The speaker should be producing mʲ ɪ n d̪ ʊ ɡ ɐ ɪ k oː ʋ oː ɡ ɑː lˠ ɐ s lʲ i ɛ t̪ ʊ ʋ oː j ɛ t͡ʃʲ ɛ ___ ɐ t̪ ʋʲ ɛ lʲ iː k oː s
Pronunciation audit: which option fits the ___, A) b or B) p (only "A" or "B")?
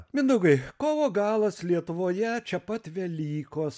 B